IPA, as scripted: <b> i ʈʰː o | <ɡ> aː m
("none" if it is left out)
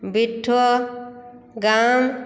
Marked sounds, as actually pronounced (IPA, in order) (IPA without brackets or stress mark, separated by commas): b, ɡ